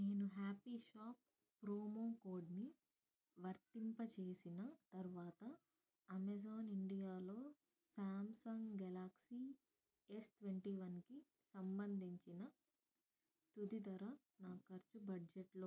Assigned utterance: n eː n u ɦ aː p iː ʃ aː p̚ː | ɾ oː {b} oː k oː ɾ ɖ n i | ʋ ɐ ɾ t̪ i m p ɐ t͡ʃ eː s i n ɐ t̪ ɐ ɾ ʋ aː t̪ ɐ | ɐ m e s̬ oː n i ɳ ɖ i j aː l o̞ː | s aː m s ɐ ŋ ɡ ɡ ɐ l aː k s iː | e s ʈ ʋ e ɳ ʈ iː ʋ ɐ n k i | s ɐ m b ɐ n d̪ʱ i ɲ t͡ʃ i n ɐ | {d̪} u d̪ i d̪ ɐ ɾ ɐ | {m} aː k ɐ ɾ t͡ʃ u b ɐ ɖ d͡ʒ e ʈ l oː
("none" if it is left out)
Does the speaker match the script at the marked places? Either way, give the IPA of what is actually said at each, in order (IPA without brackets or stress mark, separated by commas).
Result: m, t̪, n